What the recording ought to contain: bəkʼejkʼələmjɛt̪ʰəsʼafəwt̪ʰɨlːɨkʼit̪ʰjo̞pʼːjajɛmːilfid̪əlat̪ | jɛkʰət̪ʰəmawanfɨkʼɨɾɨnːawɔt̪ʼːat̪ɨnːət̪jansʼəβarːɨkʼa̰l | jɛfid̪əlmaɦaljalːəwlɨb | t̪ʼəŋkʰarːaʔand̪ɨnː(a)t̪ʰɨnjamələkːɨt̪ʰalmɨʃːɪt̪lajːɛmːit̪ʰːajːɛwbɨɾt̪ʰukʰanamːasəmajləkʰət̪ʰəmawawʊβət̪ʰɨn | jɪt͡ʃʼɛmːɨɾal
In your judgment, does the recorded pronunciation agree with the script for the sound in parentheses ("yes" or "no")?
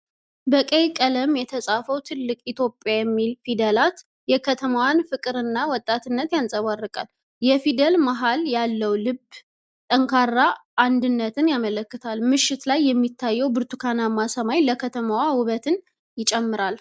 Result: no